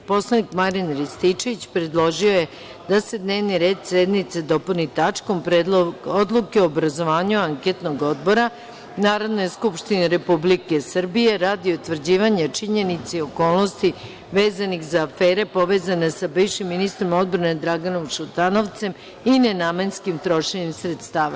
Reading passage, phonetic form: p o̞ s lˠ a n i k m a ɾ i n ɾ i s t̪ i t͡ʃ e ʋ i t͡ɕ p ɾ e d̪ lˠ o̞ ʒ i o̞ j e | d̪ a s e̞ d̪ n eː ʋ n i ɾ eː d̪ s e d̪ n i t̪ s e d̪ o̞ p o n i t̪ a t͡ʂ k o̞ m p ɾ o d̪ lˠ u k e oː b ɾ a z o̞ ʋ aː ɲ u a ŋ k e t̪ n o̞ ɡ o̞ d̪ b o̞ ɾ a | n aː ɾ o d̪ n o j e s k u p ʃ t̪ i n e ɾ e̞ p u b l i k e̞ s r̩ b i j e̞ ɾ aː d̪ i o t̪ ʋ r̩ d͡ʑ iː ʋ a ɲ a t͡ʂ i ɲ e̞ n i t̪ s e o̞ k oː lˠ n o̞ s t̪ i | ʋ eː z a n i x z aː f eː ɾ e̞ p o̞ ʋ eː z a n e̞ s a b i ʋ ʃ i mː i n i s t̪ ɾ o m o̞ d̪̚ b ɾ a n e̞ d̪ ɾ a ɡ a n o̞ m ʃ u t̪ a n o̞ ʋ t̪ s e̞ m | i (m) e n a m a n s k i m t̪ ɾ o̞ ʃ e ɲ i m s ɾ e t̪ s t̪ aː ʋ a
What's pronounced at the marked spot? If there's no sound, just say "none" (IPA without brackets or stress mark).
n